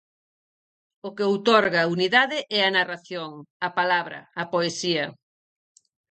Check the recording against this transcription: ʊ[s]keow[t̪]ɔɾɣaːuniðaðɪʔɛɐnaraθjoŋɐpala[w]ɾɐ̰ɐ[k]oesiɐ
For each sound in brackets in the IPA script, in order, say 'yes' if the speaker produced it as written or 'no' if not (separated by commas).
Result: no, yes, no, no